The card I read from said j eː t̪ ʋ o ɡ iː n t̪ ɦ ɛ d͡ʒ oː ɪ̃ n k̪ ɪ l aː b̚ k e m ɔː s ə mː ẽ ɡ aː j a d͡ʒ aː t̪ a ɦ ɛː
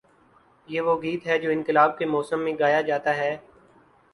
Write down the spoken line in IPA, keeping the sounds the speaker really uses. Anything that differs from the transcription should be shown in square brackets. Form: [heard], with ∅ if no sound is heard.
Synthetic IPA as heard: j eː [∅] ʋ o ɡ iː [∅] t̪ ɦ ɛ d͡ʒ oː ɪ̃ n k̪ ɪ l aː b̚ k e m ɔː s ə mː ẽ ɡ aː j a d͡ʒ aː t̪ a ɦ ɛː